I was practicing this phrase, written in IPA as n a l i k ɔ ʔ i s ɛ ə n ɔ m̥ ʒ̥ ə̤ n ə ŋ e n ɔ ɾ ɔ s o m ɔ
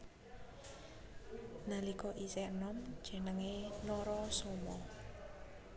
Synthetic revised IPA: n a l i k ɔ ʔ i s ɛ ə n ɔ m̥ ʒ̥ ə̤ n ə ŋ e n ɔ ɾ ɔ s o m ɔ